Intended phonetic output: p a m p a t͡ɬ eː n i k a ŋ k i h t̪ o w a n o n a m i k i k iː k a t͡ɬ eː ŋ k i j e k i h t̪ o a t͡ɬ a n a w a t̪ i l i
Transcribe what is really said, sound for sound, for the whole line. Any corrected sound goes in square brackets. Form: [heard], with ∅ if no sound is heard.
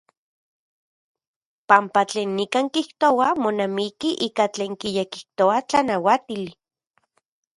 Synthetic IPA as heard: p a m p a t͡ɬ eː [nː] i k a ŋ k i h t̪ o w a [m] o n a m i k i [ʔ] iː k a t͡ɬ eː ŋ k i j e k i h t̪ o a t͡ɬ a n a w a t̪ i l i